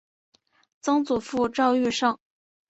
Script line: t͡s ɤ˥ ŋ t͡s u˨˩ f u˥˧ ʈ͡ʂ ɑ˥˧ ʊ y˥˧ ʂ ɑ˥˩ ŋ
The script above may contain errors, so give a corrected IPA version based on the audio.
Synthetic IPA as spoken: t͡s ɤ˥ ŋ t͡s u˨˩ f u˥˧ ʈ͡ʂ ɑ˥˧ ʊ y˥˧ ʂ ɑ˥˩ ŋ

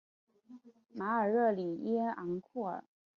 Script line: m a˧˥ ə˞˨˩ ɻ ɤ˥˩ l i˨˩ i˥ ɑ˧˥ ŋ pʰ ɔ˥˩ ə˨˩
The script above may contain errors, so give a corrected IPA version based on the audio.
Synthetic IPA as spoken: m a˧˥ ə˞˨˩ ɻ ɤ˥˩ l i˨˩ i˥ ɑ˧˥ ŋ kʰ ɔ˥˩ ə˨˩

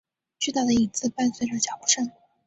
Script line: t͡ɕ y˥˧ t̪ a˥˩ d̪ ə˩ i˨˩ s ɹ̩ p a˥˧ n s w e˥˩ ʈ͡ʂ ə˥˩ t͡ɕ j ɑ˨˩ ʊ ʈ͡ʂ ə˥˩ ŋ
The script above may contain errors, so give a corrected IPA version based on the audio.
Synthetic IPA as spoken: t͡ɕ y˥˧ t̪ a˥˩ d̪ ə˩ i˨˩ t͡s ɹ̩ p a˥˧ n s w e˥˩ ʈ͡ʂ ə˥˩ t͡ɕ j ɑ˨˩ ʊ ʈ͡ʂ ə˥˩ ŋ

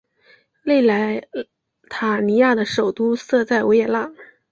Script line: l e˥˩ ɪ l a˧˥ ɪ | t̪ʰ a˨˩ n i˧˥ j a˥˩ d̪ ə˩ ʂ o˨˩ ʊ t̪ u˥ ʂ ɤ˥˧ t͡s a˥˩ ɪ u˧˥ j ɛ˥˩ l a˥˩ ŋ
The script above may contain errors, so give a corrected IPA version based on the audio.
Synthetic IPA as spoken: l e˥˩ ɪ l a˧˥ ɪ | t̪ʰ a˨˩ n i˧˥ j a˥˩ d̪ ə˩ ʂ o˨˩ ʊ t̪ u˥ s ɤ˥˧ t͡s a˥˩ ɪ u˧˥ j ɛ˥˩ l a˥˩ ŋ

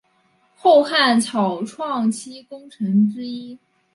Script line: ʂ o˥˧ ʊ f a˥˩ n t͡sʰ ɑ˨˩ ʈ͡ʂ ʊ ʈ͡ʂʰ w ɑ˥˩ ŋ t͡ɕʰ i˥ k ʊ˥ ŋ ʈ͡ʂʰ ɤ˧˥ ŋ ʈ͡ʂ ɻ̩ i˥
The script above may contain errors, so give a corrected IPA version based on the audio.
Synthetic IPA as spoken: x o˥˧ ʊ x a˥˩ n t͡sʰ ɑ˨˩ ʊ ʈ͡ʂʰ w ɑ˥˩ ŋ t͡ɕʰ i˥ k ʊ˥ ŋ ʈ͡ʂʰ ɤ˧˥ ŋ ʈ͡ʂ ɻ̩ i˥

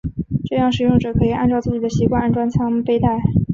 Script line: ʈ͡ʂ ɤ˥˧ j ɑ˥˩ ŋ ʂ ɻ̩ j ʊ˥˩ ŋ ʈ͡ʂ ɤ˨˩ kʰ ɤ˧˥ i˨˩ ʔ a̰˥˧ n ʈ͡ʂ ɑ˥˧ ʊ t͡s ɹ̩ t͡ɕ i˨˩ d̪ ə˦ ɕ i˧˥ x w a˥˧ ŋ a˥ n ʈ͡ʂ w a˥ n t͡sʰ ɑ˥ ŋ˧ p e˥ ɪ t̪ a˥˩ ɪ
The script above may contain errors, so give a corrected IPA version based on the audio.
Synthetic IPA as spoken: ʈ͡ʂ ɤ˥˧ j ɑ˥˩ ŋ ʂ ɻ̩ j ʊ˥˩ ŋ ʈ͡ʂ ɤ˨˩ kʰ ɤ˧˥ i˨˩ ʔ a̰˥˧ n ʈ͡ʂ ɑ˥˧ ʊ t͡s ɹ̩ t͡ɕ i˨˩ d̪ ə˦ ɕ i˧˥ k w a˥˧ n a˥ n ʈ͡ʂ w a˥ n t͡sʰ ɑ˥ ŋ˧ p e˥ ɪ t̪ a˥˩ ɪ

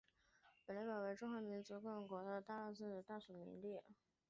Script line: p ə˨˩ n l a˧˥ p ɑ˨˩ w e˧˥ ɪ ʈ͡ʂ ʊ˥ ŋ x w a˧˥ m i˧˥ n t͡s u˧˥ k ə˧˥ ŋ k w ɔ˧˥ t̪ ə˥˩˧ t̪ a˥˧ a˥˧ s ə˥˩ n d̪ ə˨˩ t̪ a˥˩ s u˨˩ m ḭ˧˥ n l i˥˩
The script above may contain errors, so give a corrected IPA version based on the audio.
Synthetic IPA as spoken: p ə˨˩ n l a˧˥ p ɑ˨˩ w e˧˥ ɪ ʈ͡ʂ ʊ˥ ŋ x w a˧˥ m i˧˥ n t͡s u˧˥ k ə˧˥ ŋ k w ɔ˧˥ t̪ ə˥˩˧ t̪ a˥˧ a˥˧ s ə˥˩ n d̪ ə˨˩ t̪ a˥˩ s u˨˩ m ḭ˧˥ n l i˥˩

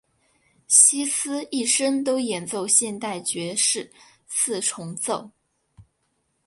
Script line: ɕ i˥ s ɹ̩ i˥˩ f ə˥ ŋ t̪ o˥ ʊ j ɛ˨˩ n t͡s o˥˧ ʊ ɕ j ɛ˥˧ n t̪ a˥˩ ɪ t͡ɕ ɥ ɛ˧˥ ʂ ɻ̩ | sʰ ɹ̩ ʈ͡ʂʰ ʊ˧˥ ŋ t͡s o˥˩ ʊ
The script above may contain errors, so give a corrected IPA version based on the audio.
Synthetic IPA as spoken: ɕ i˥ s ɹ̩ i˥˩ ʂ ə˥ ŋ t̪ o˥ ʊ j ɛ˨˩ n t͡s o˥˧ ʊ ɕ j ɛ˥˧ n t̪ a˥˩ ɪ t͡ɕ ɥ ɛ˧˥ ʂ ɻ̩ | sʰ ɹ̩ ʈ͡ʂʰ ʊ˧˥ ŋ t͡s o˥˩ ʊ

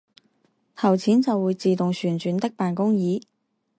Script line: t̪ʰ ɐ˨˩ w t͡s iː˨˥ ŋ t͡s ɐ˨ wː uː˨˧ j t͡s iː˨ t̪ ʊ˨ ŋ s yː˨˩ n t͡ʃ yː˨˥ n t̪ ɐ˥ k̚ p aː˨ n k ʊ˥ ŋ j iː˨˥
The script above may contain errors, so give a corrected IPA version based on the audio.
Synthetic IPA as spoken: t̪ʰ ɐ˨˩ w t͡sʰ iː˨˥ n t͡s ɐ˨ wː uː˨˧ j t͡s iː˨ t̪ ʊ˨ ŋ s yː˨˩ n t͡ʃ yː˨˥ n t̪ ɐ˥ k̚ p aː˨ n k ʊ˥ ŋ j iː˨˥

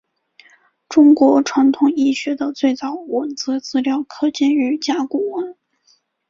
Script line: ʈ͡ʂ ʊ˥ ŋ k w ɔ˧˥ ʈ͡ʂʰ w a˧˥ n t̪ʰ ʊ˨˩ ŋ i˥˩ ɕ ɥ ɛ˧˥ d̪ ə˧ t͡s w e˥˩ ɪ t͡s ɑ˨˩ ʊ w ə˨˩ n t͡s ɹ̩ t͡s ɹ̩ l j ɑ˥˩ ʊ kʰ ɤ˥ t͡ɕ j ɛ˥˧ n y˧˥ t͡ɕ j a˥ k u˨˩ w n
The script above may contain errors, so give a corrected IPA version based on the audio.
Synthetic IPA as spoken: ʈ͡ʂ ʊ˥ ŋ k w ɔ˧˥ ʈ͡ʂʰ w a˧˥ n t̪ʰ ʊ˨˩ ŋ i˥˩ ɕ ɥ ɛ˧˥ d̪ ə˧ t͡s w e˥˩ ɪ t͡s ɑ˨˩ ʊ w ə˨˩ n t͡s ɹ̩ t͡s ɹ̩ l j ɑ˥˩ ʊ kʰ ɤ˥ t͡ɕ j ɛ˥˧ n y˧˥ t͡ɕ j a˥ k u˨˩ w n

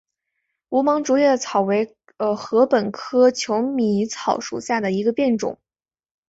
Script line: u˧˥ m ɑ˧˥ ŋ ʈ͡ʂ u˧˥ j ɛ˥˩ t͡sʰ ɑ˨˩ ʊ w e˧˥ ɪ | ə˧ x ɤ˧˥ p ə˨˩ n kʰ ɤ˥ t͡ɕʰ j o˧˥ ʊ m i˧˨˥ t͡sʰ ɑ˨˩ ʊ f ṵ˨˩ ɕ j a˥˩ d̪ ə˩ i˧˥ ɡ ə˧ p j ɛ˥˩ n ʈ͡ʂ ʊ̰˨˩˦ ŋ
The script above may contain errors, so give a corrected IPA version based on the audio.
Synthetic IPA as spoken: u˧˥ m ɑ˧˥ ŋ ʈ͡ʂ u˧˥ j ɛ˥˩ t͡sʰ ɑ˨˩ ʊ w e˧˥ ɪ | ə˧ x ɤ˧˥ p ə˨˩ n kʰ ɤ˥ t͡ɕʰ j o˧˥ ʊ m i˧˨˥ t͡sʰ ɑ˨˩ ʊ ʂ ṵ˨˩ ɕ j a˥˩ d̪ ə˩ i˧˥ ɡ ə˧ p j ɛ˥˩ n ʈ͡ʂ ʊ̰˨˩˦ ŋ

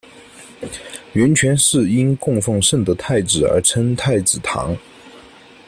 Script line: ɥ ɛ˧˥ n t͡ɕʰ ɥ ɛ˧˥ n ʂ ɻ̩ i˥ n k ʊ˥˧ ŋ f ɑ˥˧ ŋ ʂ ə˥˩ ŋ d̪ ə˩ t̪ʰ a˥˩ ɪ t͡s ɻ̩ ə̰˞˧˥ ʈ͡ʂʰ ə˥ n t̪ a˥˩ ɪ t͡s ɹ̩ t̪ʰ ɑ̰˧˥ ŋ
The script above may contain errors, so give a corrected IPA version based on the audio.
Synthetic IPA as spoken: ɥ ɛ˧˥ n t͡ɕʰ ɥ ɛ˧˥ n ʂ ɻ̩ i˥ n k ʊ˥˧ ŋ f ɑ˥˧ ŋ ʂ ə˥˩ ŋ d̪ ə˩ t̪ʰ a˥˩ ɪ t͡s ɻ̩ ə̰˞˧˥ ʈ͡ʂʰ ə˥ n t̪ʰ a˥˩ ɪ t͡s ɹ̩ t̪ʰ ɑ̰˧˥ ŋ

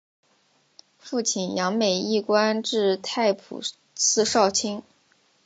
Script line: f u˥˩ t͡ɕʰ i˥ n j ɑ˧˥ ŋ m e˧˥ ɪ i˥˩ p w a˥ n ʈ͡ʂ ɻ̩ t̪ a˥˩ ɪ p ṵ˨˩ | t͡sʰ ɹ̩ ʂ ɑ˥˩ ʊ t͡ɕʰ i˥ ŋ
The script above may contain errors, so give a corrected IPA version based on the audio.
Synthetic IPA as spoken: f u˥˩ t͡ɕʰ i˨˩ n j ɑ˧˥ ŋ m e˨˩ ɪ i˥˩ k w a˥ n ʈ͡ʂ ɻ̩ t̪ʰ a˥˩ ɪ pʰ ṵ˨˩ | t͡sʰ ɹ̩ ʂ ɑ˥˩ ʊ t͡ɕʰ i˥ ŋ

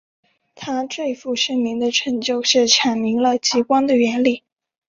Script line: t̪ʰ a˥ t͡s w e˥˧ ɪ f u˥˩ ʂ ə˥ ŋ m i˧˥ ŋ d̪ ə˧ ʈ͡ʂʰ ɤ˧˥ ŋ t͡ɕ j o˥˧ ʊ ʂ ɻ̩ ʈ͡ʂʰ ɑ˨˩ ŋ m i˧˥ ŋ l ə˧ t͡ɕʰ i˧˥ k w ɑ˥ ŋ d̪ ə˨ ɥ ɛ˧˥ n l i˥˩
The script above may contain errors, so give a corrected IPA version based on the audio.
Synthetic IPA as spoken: t̪ʰ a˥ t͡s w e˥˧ ɪ f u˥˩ ʂ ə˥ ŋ m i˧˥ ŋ d̪ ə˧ ʈ͡ʂʰ ɤ˧˥ ŋ t͡ɕ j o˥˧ ʊ ʂ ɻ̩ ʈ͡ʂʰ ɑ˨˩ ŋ m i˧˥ ŋ l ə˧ t͡ɕ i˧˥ k w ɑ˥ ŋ d̪ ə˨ ɥ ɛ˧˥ n l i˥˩

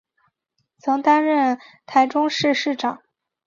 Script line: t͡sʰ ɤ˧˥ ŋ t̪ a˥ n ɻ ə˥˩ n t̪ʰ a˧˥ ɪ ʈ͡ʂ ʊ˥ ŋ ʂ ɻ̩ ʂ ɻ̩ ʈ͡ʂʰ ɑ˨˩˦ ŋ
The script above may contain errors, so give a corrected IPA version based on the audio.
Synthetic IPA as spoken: t͡sʰ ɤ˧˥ ŋ t̪ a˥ n ɻ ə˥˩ n t̪ʰ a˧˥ ɪ ʈ͡ʂ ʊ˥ ŋ ʂ ɻ̩ ʂ ɻ̩ ʈ͡ʂ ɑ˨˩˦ ŋ

